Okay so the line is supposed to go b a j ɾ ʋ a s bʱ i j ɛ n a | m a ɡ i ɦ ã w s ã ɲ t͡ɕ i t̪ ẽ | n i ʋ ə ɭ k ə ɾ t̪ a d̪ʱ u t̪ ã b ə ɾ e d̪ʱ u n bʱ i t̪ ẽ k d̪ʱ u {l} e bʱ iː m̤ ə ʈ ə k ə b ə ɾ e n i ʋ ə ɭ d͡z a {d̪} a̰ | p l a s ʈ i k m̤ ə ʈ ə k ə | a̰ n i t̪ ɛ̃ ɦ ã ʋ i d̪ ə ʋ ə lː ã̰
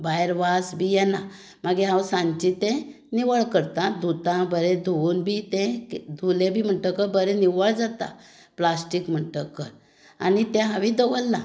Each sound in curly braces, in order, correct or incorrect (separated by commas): correct, incorrect